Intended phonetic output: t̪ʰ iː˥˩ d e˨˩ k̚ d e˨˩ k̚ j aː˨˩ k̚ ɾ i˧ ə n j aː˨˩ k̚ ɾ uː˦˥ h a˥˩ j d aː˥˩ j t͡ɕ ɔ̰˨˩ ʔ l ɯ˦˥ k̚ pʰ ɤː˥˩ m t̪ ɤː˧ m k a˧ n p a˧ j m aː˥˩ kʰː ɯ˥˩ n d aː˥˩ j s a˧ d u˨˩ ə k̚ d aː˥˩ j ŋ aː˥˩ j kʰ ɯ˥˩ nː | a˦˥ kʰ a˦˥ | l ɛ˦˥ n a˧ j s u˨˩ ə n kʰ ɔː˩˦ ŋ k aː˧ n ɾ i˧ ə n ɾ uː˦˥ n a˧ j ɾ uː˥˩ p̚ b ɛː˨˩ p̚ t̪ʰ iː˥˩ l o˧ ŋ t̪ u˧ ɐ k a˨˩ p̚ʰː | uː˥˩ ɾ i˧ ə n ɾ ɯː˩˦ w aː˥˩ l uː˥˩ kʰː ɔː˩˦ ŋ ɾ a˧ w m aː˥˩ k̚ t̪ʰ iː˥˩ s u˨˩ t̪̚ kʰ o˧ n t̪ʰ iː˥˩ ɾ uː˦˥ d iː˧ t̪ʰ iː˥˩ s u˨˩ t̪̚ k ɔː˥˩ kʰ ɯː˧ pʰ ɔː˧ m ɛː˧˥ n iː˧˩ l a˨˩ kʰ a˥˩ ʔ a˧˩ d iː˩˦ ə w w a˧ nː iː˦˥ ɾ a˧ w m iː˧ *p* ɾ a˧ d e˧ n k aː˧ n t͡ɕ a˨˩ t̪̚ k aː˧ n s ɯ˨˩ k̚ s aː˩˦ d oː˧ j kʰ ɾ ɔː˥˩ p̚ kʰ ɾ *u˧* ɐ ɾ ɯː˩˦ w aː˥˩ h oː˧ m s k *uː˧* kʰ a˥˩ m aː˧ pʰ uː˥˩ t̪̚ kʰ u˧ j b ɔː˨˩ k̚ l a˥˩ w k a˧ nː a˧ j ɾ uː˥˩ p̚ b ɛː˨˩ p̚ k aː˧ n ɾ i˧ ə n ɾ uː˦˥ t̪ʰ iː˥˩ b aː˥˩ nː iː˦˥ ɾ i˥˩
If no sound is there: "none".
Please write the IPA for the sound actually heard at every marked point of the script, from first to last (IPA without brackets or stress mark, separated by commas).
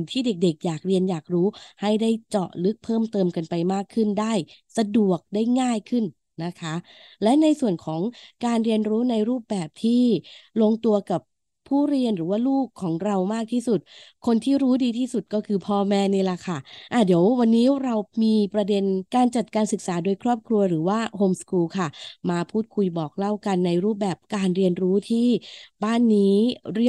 p, u˧, uː˧